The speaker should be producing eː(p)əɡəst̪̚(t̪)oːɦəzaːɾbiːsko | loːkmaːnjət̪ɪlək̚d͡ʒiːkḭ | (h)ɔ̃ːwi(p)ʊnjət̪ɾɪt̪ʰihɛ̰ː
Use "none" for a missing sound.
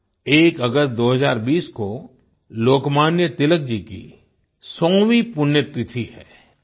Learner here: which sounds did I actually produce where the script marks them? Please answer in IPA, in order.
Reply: k, d̪, s, p

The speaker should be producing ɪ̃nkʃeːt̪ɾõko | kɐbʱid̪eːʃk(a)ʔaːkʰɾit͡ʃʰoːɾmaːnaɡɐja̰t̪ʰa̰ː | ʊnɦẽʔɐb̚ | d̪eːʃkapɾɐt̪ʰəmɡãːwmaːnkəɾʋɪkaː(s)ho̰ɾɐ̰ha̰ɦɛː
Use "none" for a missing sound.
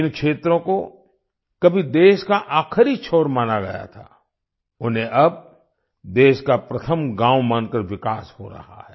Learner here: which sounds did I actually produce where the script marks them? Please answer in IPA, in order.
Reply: a, s

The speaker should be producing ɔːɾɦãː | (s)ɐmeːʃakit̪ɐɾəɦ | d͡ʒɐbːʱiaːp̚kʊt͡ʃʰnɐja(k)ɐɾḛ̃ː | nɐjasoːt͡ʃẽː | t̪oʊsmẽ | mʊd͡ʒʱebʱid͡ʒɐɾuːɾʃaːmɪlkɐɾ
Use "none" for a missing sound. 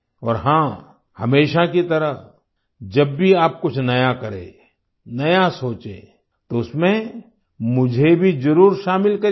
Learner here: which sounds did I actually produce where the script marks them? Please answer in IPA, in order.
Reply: h, k

